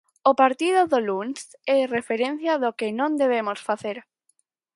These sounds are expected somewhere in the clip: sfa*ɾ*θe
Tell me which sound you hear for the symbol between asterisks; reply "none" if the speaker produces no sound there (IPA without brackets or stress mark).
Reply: none